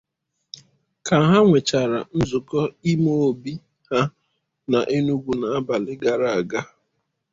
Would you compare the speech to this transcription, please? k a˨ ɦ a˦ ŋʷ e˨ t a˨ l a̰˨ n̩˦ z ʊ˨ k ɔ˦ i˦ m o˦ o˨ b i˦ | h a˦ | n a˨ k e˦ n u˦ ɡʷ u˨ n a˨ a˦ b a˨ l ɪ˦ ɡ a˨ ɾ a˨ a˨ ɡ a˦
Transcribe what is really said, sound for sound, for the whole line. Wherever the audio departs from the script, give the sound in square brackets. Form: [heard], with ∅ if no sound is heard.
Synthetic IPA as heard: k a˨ ɦ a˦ ŋʷ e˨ [t͡ʃ] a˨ [ɾ] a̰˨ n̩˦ z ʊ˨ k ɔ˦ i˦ m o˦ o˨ b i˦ | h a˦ | n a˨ [ʔ] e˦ n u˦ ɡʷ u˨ n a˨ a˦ b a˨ l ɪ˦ ɡ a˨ ɾ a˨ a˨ ɡ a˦

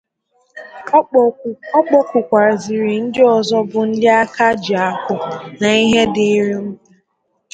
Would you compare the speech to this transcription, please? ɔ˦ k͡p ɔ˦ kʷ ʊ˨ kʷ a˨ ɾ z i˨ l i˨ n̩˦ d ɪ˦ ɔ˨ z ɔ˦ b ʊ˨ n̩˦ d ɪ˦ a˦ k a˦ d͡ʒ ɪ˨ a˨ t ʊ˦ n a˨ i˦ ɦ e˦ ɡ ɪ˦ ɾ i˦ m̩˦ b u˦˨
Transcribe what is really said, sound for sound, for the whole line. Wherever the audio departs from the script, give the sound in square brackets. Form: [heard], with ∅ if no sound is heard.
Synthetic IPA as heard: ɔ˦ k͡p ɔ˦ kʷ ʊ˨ kʷ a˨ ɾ z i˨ [ɾ] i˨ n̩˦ d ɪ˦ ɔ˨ z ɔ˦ b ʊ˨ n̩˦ d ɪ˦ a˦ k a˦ d͡ʒ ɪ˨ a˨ [k] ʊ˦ n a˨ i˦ ɦ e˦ [d] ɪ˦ ɾ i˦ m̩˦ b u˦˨

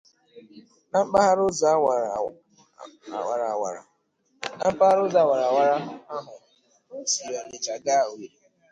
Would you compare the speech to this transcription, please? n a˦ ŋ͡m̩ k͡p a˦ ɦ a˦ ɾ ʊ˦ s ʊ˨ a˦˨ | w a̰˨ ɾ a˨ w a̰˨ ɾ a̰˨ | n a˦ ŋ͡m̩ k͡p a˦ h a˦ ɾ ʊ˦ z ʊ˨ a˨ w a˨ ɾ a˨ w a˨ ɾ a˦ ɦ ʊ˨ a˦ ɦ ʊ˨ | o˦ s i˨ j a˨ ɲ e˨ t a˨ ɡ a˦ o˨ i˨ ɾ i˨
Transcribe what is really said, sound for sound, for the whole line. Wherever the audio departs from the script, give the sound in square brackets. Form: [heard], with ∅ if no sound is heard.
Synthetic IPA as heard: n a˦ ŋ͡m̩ k͡p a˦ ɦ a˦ ɾ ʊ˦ [z] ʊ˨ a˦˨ | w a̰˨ ɾ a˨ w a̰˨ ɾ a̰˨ | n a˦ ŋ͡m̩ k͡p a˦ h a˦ ɾ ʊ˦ z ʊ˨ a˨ w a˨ ɾ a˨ w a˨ ɾ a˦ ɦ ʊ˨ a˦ ɦ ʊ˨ | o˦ s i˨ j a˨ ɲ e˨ [t͡ʃ] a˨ ɡ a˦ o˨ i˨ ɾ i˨

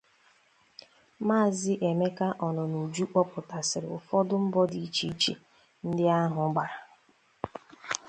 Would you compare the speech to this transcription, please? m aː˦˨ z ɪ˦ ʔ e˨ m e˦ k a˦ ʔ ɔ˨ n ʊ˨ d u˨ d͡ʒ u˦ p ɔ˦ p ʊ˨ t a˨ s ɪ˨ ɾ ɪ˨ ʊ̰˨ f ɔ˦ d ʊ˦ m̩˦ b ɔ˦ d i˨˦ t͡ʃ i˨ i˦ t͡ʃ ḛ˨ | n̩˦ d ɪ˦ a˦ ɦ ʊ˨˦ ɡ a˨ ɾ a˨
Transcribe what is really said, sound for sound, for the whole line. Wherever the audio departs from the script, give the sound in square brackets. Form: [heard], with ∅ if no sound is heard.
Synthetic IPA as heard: m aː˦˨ z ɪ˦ ʔ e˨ m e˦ k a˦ ʔ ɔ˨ n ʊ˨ [n] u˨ d͡ʒ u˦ [k͡p] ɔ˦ p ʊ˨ t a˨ s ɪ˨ ɾ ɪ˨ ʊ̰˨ f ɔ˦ d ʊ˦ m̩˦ b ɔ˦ d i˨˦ t͡ʃ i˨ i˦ t͡ʃ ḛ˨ | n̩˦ d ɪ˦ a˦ ɦ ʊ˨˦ [ɡ͡b] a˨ ɾ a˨

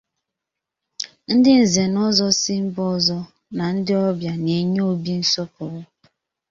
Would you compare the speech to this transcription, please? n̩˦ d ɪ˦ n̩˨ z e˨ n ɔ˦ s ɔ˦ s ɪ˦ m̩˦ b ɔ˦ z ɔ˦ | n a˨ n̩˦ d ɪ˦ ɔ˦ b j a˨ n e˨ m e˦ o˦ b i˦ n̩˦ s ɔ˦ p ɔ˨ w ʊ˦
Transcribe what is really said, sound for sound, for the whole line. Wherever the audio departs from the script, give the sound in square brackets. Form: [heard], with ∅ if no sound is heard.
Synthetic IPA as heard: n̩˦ d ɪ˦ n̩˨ z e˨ n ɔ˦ [z] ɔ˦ s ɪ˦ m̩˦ b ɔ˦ z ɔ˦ | n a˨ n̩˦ d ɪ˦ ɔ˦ b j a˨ n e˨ [ɲ] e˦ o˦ b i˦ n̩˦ s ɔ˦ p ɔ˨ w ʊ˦

